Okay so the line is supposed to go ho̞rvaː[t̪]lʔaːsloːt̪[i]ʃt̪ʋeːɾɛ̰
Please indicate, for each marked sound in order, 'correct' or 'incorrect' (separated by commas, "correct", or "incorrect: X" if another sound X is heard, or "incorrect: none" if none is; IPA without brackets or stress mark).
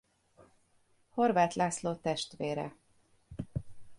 correct, incorrect: ɛ